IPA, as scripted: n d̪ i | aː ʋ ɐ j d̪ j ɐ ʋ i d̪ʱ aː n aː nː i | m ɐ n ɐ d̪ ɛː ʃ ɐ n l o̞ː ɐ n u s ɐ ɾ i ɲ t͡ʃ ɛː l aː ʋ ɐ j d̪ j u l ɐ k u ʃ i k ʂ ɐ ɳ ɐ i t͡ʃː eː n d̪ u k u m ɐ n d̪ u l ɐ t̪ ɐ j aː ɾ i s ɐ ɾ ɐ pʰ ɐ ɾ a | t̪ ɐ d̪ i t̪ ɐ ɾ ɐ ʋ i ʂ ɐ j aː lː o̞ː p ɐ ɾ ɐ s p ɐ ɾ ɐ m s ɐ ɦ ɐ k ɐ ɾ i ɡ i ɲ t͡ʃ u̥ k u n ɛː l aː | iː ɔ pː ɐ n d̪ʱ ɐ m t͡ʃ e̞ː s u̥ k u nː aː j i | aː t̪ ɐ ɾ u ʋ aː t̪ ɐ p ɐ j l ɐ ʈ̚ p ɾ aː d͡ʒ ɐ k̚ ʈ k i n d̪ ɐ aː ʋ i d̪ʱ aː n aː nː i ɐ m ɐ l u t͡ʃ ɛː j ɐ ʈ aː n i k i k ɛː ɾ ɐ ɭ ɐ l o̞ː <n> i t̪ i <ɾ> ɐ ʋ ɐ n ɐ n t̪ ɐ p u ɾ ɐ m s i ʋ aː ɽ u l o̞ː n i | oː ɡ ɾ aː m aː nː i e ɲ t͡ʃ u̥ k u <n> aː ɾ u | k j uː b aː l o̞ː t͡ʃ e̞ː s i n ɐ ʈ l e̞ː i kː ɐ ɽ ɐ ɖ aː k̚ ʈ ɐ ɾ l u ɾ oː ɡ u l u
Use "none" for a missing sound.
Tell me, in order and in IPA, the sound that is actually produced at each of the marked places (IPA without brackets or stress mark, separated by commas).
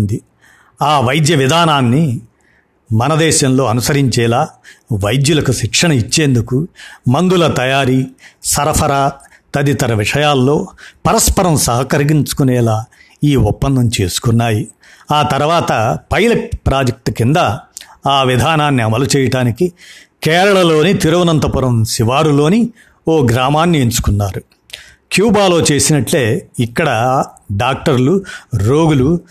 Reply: n, ɾ, nː